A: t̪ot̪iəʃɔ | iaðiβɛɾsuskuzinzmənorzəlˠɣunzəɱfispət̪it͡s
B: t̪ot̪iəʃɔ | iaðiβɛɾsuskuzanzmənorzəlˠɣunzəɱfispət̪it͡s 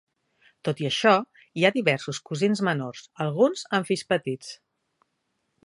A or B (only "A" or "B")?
A